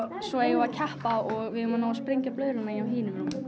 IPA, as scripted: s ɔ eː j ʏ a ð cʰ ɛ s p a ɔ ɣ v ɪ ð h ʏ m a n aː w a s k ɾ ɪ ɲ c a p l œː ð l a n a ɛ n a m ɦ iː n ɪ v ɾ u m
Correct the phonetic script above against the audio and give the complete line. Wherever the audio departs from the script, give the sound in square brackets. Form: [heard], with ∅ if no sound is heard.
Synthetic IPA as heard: s ɔ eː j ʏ a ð cʰ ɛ [h] p a ɔ ɣ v ɪ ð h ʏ m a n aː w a s [p] ɾ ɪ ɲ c a p l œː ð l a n a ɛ n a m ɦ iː n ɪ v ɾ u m